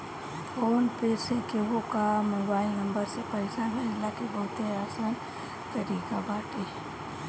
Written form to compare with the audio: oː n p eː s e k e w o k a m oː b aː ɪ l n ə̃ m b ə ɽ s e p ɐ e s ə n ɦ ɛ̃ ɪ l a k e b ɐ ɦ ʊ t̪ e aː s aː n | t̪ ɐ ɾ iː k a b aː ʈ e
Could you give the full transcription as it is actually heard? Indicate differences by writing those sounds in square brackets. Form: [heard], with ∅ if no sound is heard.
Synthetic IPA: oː n p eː s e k e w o k a m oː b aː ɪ l n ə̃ m b ə [ɾ] s e p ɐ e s [a] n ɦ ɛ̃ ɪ l a k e b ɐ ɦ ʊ t̪ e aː s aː n | t̪ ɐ ɾ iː k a b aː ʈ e